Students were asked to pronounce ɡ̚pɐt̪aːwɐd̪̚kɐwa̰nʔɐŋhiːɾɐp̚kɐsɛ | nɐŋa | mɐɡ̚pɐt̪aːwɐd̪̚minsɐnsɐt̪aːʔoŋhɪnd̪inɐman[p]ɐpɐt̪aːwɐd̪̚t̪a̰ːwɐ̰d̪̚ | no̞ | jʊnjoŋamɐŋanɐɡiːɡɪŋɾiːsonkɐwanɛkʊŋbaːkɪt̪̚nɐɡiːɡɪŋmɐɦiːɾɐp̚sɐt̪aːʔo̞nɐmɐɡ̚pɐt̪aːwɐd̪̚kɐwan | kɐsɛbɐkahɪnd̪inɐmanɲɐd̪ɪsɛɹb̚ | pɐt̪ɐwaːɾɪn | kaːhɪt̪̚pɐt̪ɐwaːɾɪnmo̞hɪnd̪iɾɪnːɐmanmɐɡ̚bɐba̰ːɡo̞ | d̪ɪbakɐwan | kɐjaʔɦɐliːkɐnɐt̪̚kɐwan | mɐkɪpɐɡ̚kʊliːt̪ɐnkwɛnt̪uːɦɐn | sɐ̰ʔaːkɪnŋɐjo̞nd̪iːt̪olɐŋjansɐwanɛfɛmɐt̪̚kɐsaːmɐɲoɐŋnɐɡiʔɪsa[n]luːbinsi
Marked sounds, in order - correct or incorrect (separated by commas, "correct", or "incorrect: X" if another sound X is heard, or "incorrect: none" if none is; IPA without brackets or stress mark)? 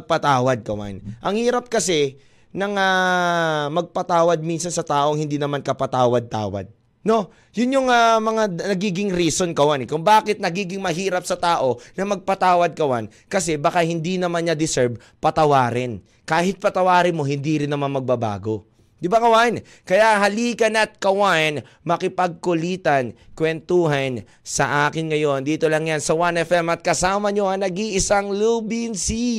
incorrect: k, incorrect: ŋ